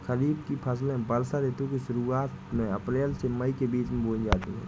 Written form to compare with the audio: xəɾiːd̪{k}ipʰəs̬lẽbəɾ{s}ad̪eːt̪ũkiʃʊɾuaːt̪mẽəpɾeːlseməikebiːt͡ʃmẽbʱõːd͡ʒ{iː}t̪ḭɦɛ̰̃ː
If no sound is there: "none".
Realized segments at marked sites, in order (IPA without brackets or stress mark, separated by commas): k, s, aː